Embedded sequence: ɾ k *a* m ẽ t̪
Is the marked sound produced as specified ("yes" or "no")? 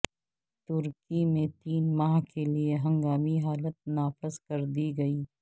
no